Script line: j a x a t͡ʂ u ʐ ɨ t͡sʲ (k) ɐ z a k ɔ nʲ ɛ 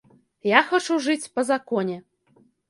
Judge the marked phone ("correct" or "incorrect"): incorrect